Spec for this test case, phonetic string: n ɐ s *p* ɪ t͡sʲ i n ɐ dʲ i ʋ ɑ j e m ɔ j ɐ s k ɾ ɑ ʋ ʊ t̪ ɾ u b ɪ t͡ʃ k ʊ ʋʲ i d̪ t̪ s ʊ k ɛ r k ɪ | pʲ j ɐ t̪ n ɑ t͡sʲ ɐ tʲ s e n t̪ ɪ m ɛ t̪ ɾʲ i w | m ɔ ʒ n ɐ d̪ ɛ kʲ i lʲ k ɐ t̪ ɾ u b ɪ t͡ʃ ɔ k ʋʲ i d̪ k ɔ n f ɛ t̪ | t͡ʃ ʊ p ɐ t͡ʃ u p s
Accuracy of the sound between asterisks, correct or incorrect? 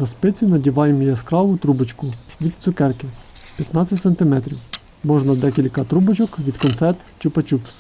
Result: correct